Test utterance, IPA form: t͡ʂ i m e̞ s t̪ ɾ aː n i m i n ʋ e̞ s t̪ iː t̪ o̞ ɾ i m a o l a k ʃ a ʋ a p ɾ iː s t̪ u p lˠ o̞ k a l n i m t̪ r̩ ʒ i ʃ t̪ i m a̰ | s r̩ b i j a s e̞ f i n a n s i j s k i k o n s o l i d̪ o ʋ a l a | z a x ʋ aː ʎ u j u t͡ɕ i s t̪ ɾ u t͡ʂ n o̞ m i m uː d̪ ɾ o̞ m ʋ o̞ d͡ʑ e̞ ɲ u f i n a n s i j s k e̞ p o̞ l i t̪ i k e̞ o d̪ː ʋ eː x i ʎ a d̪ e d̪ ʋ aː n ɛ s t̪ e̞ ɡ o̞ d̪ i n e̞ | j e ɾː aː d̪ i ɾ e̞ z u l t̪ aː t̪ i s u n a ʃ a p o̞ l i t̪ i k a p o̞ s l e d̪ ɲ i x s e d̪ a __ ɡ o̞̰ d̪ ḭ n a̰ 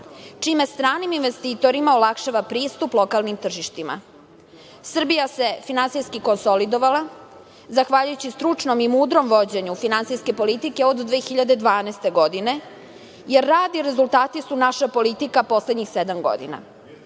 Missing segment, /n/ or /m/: m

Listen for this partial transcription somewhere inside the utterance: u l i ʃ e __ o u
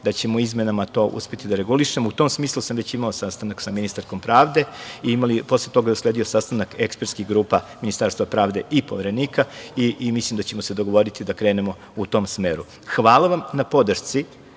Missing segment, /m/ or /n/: m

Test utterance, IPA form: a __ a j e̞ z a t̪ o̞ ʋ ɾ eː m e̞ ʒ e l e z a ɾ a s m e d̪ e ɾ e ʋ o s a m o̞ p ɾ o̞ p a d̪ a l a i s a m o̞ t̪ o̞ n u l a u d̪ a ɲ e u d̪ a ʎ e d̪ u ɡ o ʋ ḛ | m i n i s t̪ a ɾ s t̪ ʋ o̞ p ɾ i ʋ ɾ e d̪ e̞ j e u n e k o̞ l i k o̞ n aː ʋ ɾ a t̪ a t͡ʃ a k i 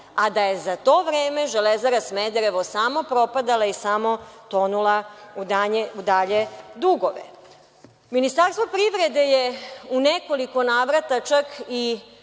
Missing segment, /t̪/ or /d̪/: d̪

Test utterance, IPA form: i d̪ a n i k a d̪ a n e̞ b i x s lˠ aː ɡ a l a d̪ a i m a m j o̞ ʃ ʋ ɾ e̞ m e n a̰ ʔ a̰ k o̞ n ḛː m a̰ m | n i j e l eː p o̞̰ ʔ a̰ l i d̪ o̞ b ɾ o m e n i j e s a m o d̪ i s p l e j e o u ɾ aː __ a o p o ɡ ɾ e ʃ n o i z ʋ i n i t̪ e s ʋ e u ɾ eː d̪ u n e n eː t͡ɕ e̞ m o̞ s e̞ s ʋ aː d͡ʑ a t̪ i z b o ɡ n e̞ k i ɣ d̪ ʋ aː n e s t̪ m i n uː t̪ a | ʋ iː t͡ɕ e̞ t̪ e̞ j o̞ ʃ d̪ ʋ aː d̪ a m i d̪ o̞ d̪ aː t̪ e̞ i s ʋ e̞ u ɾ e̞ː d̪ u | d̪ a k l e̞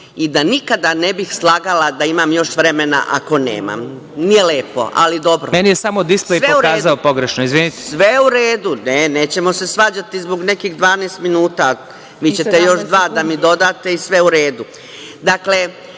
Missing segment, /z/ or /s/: z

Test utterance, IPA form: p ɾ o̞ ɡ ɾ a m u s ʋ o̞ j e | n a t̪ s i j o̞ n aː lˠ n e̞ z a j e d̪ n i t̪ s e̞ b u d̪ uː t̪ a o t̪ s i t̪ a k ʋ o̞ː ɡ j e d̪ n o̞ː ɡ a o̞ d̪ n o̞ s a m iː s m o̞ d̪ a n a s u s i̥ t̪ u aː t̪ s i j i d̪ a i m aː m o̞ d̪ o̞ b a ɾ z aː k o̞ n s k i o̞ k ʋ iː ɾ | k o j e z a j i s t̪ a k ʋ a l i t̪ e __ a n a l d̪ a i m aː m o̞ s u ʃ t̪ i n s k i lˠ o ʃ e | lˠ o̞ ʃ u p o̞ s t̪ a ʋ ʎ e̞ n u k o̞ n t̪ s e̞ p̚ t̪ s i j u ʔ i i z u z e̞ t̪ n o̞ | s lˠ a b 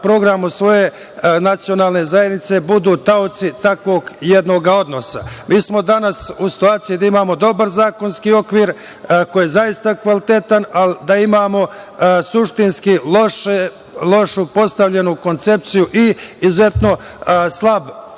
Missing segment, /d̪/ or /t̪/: t̪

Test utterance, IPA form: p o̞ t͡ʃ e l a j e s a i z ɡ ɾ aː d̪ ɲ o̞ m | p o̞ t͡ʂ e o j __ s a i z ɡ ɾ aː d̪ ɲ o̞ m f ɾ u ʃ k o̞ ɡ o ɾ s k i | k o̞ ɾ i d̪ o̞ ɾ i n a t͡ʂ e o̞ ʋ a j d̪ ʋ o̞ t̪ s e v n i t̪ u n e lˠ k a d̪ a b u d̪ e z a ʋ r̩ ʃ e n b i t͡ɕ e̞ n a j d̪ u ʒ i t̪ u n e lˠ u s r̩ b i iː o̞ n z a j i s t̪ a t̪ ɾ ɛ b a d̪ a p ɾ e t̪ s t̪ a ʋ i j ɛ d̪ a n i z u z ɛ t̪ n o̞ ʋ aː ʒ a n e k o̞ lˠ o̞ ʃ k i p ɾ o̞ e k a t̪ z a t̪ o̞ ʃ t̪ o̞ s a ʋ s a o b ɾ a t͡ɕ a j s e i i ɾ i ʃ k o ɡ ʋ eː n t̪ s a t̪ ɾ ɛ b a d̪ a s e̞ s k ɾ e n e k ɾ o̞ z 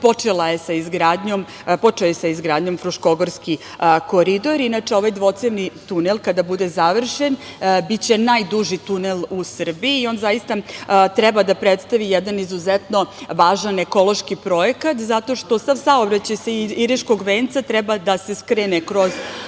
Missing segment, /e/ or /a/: e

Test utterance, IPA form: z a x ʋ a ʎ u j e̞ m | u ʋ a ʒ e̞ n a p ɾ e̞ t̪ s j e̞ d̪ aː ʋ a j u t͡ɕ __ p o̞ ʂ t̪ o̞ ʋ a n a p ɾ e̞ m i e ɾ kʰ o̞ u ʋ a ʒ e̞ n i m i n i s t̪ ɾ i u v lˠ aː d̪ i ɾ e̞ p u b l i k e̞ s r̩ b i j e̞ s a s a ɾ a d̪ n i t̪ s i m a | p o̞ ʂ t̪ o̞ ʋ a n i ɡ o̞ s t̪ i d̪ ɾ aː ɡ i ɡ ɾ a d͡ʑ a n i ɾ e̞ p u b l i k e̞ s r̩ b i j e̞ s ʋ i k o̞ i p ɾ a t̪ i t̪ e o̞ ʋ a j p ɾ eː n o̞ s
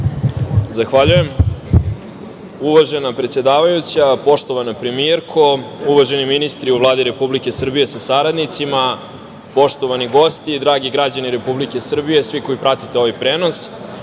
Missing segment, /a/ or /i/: a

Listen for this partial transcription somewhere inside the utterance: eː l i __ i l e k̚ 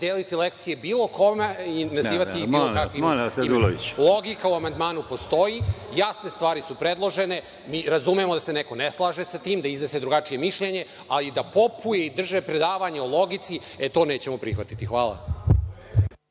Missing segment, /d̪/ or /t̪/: t̪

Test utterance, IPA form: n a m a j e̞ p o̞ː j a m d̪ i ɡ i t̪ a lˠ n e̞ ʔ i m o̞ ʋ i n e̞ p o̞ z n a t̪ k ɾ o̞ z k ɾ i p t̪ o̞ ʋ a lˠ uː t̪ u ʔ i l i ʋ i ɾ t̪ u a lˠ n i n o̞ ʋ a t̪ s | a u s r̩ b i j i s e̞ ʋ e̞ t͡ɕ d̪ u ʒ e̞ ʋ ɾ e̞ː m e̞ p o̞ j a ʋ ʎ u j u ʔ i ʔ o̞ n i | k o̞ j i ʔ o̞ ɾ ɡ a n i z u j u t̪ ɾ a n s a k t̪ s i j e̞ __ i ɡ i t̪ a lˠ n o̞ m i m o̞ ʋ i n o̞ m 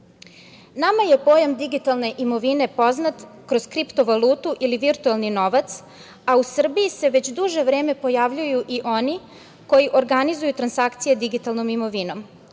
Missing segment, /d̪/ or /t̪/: d̪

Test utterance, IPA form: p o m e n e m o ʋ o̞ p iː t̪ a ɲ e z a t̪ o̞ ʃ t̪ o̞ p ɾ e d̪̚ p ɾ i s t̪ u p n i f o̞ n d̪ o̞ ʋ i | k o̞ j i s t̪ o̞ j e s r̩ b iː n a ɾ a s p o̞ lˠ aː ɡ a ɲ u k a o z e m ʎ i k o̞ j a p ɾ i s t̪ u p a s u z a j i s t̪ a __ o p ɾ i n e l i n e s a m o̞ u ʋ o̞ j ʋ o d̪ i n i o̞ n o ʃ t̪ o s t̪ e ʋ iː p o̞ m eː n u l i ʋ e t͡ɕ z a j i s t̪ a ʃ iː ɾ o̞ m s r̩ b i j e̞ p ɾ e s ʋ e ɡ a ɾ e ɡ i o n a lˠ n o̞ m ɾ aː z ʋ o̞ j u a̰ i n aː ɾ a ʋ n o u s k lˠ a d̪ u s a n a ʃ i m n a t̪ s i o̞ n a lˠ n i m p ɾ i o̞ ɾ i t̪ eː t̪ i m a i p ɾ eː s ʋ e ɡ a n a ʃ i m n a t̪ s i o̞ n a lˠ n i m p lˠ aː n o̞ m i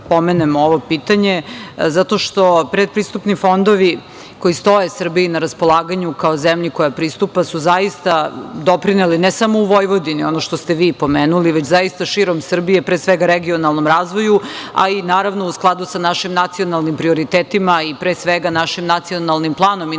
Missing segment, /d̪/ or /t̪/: d̪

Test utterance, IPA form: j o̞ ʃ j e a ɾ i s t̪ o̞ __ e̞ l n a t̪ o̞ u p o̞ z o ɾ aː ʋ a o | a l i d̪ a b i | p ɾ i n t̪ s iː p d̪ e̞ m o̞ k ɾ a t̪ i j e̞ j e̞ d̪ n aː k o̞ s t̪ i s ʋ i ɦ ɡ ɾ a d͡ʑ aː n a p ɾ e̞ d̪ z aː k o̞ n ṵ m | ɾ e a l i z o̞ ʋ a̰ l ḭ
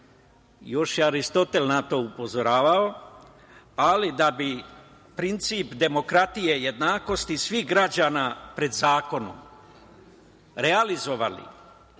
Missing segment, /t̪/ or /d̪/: t̪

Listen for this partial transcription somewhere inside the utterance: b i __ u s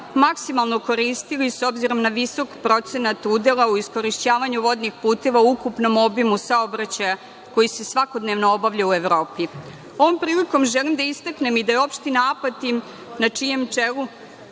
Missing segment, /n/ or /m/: m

